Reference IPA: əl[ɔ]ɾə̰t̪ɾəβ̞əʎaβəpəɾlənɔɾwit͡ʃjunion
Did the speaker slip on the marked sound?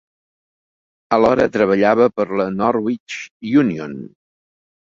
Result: no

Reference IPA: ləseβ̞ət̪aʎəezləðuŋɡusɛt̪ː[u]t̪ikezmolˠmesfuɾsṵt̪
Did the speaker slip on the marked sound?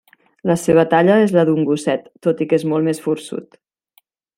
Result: yes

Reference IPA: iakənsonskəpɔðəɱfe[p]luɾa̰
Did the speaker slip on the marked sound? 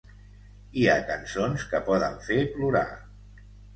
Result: no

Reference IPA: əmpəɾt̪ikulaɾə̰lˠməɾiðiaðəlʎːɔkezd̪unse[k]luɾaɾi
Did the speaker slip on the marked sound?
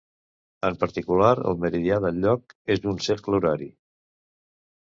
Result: no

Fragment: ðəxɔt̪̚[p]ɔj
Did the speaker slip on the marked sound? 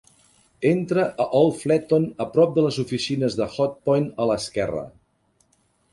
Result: no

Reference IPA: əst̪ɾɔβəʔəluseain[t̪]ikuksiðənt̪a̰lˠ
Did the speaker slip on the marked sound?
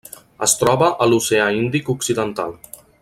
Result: yes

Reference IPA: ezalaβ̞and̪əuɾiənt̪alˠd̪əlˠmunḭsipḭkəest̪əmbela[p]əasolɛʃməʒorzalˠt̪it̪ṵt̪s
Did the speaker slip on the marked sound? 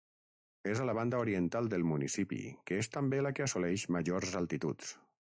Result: yes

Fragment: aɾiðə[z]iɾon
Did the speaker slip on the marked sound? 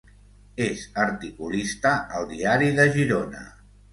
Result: yes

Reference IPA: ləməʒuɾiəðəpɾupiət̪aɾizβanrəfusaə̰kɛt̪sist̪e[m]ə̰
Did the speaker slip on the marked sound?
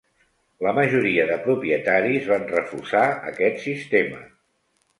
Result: no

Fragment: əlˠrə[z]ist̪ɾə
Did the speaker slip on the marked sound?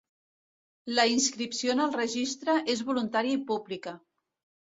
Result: yes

